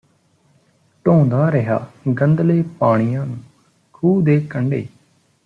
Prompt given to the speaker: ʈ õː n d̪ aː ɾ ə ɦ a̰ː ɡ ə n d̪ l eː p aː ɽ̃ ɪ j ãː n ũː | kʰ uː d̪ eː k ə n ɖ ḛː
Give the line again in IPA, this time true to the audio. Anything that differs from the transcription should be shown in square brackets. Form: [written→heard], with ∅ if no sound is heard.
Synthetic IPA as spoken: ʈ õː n d̪ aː ɾ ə ɦ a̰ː ɡ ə n d̪ l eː p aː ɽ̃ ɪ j ãː n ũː | kʰ uː d̪ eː k ə [n→ɳ] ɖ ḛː